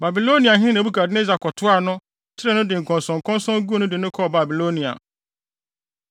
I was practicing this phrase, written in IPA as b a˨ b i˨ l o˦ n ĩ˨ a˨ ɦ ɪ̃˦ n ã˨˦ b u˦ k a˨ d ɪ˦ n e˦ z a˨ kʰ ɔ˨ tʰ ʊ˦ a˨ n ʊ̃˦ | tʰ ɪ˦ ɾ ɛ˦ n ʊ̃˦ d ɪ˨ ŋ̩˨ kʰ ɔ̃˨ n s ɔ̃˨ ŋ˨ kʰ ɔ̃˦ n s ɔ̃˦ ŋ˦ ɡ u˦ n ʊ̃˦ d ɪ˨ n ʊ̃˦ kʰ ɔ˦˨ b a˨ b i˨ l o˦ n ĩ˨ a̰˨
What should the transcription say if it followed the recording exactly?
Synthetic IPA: b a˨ b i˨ l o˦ n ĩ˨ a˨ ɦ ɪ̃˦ n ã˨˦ b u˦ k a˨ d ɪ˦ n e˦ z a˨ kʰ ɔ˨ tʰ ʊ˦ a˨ n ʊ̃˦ | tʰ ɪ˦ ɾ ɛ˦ n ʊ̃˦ d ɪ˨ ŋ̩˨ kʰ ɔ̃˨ n s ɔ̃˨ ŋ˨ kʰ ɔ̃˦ n s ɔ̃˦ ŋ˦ ɡ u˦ n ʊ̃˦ d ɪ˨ n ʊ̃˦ kʰ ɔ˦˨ b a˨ b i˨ l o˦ n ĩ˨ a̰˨